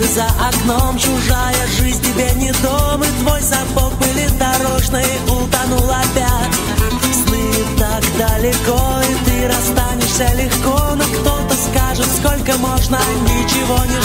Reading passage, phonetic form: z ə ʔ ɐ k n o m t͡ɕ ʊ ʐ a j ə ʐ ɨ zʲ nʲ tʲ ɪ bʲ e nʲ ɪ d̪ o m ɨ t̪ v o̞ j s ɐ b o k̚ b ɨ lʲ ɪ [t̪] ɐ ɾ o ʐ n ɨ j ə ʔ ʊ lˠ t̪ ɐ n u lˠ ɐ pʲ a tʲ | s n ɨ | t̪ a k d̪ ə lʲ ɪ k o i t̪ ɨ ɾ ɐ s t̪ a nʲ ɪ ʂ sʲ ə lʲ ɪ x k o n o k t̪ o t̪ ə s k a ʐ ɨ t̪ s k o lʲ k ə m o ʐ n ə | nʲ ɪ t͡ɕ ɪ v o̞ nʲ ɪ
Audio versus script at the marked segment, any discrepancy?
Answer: yes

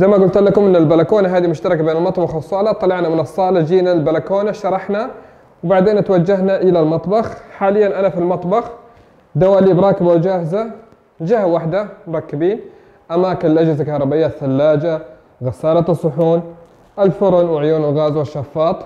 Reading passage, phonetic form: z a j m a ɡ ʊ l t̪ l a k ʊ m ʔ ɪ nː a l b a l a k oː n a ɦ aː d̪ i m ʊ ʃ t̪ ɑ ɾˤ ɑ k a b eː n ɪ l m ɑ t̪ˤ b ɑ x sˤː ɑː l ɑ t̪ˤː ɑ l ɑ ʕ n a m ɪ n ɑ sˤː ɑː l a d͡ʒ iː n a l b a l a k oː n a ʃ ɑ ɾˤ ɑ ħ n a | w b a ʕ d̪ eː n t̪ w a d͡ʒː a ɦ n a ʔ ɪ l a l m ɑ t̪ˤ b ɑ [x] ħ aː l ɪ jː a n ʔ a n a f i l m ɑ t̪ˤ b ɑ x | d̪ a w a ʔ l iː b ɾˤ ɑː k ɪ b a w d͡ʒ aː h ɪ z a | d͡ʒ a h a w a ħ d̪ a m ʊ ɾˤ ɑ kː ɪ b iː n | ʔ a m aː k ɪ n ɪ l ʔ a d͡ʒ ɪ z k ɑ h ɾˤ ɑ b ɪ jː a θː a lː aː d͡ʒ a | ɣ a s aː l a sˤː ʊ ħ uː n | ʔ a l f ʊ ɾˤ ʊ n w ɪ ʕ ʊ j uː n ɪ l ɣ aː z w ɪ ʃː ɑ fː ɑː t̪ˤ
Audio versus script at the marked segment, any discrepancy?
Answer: no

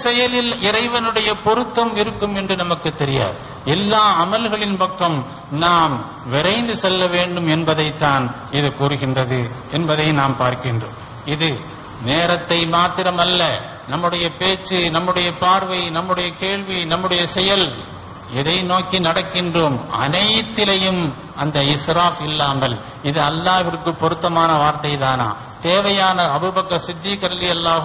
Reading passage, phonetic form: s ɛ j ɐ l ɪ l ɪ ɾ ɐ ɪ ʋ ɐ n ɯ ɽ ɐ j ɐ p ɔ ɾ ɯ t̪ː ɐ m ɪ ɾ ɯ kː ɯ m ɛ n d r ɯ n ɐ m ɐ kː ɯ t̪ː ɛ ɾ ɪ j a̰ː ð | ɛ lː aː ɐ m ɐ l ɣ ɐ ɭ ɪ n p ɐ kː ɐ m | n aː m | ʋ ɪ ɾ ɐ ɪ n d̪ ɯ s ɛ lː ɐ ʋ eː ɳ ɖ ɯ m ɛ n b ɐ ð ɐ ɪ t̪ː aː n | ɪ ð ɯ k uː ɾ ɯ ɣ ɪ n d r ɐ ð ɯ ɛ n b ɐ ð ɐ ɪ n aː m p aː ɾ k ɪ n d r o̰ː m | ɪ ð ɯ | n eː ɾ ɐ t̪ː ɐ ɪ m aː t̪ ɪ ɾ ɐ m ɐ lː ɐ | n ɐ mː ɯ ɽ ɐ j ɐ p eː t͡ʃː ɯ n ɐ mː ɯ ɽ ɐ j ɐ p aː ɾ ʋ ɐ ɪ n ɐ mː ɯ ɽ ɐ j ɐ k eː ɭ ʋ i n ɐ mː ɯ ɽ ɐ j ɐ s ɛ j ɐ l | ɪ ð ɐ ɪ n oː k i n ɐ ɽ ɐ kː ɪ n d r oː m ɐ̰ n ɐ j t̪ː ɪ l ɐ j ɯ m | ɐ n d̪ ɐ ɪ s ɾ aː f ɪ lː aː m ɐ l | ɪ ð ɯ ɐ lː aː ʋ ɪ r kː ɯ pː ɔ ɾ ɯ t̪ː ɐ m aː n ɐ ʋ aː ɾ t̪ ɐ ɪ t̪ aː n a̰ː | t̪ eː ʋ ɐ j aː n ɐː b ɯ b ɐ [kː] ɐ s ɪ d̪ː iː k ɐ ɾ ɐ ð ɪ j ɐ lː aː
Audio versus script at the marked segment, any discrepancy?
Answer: no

